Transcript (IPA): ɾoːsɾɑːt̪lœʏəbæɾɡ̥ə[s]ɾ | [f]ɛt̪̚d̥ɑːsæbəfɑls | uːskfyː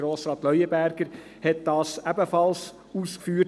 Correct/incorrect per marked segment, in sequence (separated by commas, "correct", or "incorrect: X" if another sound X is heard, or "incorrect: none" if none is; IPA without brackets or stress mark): incorrect: none, incorrect: h